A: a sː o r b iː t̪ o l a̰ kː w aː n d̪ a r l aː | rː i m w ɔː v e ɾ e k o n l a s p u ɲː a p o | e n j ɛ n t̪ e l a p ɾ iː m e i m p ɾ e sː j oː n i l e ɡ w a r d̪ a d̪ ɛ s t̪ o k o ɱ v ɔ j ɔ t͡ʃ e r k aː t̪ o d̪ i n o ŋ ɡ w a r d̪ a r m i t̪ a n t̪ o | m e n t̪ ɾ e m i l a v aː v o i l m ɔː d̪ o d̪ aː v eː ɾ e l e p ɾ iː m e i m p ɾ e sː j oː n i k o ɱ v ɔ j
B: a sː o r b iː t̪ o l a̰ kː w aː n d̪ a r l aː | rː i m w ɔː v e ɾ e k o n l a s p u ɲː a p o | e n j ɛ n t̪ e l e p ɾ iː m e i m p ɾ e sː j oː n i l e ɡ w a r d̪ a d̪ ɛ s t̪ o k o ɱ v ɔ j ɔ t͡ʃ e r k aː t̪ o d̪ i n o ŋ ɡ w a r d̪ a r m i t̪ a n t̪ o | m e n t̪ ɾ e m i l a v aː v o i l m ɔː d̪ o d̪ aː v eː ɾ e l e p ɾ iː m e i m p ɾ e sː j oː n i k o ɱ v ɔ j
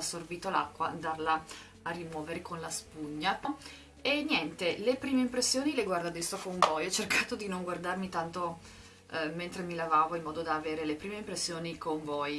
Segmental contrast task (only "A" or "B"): B